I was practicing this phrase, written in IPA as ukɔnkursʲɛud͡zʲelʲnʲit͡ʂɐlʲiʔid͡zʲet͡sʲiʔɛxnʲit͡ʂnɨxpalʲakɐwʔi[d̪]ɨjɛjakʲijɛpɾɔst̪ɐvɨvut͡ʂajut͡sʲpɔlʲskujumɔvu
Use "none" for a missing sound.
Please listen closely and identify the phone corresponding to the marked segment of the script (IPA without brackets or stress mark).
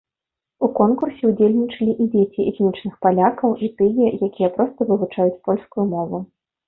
t̪